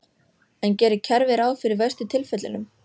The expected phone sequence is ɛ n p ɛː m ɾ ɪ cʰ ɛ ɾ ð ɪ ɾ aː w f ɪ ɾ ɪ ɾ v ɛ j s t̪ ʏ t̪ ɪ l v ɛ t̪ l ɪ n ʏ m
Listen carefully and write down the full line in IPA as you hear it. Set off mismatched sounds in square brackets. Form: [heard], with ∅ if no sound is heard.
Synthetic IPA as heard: ɛ n [c] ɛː [∅] ɾ ɪ cʰ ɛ ɾ [v] ɪ ɾ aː w f ɪ ɾ ɪ ɾ v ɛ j s t̪ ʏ [t̪ʰ] ɪ l [f] ɛ t̪ l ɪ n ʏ m